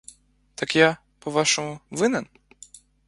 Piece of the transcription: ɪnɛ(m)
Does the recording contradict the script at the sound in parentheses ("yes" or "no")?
yes